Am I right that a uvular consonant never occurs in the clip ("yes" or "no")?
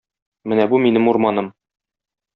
yes